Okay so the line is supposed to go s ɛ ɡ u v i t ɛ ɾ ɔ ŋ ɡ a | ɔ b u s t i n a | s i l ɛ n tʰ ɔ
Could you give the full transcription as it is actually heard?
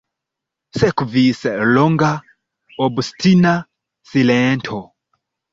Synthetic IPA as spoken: s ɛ k u v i s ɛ l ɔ ŋ ɡ a | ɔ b u s t i n a | s i l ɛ n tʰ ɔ